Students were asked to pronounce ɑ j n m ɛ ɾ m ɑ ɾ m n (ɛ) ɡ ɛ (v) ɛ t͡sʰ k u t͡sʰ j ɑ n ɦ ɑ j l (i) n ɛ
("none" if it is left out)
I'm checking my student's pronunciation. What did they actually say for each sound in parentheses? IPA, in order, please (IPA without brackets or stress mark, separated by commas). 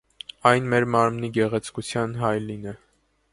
i, ʁ, i